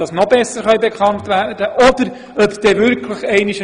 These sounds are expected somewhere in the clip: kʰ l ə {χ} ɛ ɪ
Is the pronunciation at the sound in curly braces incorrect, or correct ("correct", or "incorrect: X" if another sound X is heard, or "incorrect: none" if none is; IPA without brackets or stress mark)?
correct